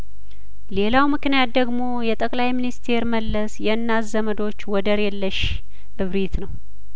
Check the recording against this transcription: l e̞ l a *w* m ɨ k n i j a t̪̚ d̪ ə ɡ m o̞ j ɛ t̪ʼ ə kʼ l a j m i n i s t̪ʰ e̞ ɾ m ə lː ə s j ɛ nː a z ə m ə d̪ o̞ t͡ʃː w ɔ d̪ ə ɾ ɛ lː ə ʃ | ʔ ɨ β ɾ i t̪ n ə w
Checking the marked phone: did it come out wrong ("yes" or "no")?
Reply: no